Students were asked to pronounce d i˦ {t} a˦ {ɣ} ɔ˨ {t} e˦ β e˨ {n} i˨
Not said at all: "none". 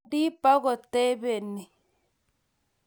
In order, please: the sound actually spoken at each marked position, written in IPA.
p, ɣ, t, n

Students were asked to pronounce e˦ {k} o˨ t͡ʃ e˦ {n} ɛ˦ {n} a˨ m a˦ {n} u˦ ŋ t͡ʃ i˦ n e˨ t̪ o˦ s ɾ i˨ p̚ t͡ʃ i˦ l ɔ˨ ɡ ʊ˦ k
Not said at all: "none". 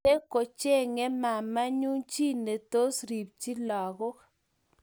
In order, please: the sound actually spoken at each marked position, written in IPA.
k, ŋ, m, ɲ

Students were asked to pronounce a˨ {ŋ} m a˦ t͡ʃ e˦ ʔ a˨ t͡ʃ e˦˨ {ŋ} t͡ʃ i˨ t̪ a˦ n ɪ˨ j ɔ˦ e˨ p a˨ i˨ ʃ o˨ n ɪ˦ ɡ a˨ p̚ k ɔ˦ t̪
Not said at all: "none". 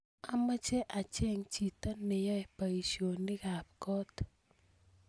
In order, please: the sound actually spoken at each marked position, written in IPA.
none, ŋ

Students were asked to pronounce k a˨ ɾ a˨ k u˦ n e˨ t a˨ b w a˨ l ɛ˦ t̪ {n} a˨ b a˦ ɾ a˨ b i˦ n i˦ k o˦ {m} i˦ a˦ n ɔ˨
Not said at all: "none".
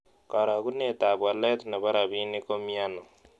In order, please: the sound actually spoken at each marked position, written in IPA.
n, m

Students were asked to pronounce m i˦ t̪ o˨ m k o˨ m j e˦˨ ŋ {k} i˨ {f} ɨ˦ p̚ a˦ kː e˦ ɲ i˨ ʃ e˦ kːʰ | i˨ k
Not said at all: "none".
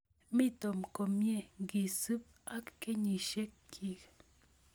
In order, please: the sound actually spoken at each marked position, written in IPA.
ɡ, s

